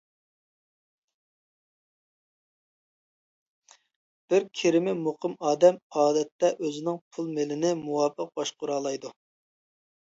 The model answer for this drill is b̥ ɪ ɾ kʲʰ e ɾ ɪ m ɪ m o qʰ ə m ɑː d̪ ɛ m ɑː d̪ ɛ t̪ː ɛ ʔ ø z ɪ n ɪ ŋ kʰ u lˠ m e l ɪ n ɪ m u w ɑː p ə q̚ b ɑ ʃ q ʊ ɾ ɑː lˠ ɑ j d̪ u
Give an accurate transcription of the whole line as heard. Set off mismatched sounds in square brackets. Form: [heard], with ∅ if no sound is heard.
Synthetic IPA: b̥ ɪ ɾ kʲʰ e ɾ ɪ m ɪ m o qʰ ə m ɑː d̪ ɛ m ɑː d̪ ɛ t̪ː ɛ ʔ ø z ɪ n ɪ ŋ [pʰ] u lˠ m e l ɪ n ɪ m u w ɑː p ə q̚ b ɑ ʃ q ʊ ɾ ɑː lˠ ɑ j d̪ u